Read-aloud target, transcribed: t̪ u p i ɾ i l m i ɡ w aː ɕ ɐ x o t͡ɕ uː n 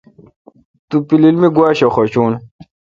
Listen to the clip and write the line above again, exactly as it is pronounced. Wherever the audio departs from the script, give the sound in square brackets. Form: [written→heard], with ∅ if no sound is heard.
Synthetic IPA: t̪ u p i [ɾ→l] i l m i ɡ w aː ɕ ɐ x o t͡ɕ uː n